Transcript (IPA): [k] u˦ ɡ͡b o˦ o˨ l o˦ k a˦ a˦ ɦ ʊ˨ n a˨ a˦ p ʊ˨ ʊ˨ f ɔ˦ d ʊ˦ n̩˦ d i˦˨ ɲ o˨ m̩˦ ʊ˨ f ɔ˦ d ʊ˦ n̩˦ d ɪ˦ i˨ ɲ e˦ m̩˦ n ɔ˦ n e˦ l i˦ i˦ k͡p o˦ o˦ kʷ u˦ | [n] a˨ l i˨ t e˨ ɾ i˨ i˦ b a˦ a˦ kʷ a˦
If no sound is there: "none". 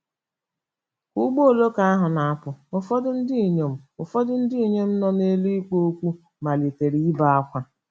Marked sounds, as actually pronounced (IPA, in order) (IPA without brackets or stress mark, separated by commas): k, m